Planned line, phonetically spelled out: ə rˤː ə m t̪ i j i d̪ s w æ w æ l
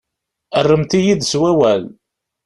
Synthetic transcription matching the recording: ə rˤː ə m t̪ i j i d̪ s w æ w æ l

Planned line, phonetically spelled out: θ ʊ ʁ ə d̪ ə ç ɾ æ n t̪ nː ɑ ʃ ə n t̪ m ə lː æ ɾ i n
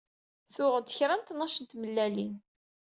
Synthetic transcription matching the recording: θ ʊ ʁ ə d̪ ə ç ɾ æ n t̪ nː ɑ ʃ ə n t̪ m ə lː æ l i n

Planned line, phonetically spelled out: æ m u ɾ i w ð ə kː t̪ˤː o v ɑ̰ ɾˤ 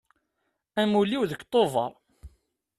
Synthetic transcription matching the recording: æ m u l i w ð ə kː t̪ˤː o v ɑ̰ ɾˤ

